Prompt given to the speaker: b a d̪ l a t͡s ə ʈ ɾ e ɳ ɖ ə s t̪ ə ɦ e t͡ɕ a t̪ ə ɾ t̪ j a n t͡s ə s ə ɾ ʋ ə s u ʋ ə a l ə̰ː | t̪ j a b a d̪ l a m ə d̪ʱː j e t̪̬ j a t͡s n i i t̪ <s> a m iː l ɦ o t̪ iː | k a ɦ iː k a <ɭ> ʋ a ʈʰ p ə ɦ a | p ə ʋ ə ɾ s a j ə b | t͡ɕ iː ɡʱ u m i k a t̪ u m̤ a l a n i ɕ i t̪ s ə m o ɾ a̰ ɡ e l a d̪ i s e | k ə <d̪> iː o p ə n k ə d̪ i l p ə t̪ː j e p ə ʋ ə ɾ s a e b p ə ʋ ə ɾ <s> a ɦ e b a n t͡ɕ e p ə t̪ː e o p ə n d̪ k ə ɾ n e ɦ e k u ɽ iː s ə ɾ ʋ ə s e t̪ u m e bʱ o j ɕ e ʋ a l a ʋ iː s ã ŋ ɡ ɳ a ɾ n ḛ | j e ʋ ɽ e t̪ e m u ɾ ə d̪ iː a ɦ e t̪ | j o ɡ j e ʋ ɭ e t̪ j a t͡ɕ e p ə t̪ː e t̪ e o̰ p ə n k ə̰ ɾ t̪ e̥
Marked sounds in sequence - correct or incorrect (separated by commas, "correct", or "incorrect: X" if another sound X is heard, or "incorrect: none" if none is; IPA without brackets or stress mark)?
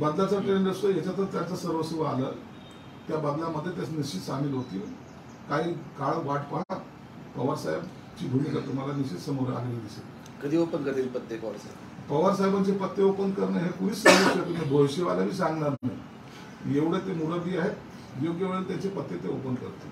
correct, correct, correct, correct